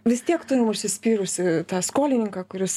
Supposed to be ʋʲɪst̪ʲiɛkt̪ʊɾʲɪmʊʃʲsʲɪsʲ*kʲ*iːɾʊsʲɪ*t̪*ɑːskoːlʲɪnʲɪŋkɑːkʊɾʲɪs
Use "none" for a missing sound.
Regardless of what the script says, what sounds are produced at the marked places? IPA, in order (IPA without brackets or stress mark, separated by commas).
pʲ, t̪